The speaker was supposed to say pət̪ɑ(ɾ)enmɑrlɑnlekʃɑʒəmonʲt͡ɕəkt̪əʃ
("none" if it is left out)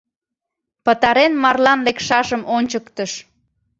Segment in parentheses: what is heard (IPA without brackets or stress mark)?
ɾ